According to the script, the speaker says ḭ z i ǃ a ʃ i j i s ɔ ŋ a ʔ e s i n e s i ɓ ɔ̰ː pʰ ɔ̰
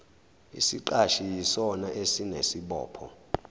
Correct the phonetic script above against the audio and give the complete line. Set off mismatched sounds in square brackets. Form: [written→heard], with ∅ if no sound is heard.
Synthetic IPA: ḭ [z→s] i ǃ a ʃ i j i s ɔ [ŋ→n] a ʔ e s i n e s i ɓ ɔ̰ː pʰ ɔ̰